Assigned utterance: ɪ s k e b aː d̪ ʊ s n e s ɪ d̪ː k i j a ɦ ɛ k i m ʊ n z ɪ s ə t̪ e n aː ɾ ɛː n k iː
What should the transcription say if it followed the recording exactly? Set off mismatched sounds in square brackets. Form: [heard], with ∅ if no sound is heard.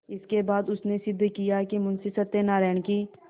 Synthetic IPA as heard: ɪ s k e b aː d̪ ʊ s n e s ɪ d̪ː k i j a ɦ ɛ k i m ʊ n [s] ɪ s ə t̪ e n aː ɾ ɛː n k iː